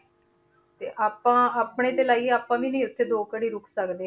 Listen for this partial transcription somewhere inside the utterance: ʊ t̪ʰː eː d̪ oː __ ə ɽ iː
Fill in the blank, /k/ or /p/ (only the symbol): k